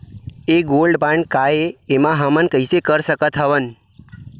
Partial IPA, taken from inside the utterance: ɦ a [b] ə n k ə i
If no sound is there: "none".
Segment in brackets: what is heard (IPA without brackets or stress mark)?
m